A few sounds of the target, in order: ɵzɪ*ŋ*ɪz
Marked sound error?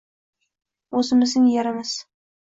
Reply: yes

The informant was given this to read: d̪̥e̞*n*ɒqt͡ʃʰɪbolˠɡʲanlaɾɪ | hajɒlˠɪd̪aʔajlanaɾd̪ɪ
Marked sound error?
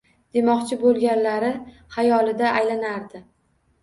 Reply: yes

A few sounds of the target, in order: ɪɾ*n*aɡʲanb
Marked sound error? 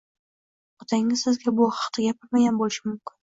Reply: yes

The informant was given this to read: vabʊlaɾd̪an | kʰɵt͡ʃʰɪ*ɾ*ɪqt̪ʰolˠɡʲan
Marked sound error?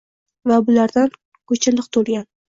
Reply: yes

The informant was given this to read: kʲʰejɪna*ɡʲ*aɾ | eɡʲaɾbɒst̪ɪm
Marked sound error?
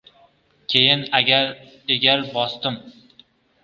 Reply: no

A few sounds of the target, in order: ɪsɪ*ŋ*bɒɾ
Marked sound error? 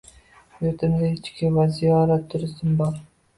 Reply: yes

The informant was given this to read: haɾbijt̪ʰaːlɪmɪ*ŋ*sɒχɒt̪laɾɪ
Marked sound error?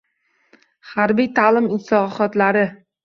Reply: yes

